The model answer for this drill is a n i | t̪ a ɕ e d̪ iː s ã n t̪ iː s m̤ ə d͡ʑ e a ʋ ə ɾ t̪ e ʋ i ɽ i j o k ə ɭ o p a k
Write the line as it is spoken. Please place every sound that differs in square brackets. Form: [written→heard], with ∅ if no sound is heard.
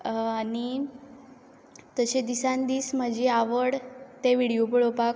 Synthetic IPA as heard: a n i | t̪ [a→ə] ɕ e d̪ [iː→i] s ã n [t̪→d̪] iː s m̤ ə d͡ʑ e a ʋ ə [ɾ→ɽ] t̪ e ʋ i ɽ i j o [k→p] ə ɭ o p a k

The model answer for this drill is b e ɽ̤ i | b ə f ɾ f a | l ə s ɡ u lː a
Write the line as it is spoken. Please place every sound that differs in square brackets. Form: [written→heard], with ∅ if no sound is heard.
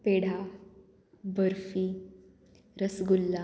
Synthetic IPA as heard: [b→p] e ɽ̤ [i→a] | b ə [f→∅] ɾ f [a→i] | [l→ɾ] ə s ɡ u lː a

